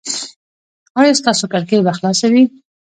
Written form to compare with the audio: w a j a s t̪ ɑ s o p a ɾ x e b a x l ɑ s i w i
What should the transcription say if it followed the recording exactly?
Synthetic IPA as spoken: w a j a s t̪ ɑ s o k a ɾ k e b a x l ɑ s a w i